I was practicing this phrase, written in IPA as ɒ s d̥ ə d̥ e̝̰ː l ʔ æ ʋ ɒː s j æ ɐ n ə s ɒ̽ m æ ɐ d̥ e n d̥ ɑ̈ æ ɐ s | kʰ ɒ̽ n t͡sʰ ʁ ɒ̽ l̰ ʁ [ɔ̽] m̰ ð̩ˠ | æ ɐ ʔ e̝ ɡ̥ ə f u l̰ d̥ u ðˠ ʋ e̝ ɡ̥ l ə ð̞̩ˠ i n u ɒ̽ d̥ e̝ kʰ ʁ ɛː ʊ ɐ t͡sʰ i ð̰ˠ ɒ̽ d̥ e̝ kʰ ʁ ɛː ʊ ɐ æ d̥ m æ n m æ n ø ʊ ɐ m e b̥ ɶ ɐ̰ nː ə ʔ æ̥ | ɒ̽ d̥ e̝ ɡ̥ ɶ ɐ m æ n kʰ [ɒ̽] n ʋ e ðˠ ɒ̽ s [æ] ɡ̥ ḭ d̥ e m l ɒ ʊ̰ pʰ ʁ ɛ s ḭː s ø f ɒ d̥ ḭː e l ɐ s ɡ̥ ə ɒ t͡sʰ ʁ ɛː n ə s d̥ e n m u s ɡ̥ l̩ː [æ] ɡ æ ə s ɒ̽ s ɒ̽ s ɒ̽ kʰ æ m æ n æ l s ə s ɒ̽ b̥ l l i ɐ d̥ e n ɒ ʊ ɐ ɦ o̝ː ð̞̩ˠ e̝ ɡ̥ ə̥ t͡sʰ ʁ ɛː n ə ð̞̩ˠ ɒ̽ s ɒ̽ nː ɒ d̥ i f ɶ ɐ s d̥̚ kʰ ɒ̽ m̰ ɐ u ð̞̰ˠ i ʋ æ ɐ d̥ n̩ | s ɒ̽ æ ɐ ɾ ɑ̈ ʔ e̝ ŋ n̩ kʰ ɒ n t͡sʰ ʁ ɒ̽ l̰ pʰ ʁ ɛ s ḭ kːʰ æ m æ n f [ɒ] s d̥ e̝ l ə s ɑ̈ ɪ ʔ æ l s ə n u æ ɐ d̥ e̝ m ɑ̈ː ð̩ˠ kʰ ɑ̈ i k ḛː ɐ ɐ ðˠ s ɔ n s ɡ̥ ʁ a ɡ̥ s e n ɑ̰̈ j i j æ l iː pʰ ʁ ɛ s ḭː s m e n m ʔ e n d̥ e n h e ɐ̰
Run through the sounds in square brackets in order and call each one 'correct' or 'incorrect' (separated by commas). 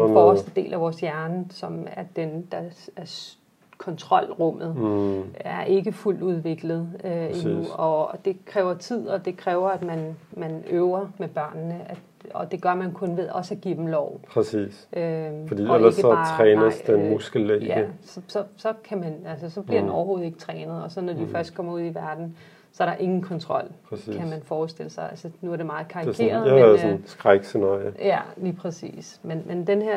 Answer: correct, incorrect, correct, incorrect, incorrect